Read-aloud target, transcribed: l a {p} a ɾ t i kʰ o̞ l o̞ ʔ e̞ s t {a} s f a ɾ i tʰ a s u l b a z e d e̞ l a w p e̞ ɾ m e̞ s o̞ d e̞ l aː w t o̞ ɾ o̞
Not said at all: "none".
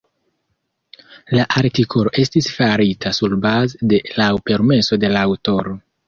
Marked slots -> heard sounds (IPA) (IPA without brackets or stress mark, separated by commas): ʔ, i